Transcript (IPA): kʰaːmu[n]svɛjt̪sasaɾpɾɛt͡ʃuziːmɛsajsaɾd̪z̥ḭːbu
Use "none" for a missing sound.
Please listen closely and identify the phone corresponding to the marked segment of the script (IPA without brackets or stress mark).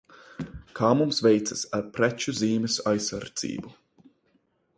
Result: m